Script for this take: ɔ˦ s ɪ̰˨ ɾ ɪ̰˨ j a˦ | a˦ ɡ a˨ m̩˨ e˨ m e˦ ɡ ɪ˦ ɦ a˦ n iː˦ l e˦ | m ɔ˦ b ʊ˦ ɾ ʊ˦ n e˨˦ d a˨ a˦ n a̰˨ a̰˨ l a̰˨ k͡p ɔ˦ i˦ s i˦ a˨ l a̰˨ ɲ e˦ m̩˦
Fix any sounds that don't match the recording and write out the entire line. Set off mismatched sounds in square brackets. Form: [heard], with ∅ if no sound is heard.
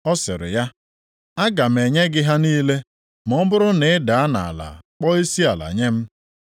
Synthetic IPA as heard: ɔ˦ s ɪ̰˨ ɾ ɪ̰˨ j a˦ | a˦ ɡ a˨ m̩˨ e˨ [ɲ] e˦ ɡ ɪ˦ ɦ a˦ n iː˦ l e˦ | m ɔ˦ b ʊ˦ ɾ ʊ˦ n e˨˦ d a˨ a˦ n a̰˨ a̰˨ l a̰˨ k͡p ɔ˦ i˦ s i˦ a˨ l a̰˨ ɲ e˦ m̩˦